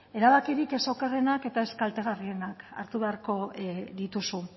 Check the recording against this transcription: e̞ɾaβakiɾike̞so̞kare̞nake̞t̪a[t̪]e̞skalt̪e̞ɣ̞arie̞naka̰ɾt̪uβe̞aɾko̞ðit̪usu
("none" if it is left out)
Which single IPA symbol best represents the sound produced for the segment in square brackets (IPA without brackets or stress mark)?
none